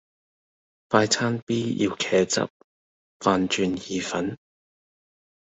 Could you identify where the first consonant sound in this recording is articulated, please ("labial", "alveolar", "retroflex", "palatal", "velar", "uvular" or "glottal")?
labial